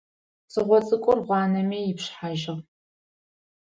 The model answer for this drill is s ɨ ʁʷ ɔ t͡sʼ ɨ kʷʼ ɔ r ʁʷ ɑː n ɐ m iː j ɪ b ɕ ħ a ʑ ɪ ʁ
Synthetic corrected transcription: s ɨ ʁʷ ɔ t͡sʼ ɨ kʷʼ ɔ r ʁʷ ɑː n ɐ m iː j ɪ p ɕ ħ a ʒ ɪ ʁ